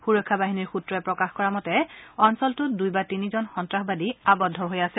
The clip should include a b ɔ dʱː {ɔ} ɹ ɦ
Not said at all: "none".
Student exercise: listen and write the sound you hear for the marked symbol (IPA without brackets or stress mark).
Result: ɔ